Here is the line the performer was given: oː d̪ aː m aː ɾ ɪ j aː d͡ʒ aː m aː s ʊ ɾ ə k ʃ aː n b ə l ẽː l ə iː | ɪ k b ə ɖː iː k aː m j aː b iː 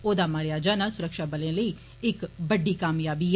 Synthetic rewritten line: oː d̪ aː m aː ɾ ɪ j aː d͡ʒ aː n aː s ʊ ɾ ə k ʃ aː b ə l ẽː l ə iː | ɪ k b ə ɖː iː k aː m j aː b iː